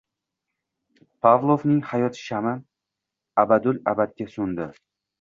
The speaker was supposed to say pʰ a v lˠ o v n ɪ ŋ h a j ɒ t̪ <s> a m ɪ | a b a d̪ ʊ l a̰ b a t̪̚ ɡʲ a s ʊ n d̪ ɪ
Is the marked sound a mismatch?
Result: yes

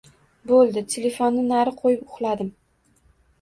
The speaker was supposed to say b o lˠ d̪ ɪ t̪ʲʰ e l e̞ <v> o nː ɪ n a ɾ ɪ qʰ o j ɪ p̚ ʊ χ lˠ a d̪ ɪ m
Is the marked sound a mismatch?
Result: yes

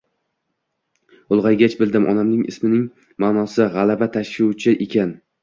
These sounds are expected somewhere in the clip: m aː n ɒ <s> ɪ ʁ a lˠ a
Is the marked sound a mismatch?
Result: no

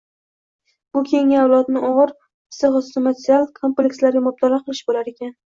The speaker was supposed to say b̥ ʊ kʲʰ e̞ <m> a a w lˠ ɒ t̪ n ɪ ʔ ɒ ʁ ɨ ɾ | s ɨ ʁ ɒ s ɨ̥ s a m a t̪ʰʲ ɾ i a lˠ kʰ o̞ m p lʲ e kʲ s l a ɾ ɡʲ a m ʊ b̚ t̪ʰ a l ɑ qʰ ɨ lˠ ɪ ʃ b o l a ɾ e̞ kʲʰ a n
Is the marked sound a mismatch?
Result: yes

